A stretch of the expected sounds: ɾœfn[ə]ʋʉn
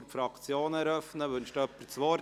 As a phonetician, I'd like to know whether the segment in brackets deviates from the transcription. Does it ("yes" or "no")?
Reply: no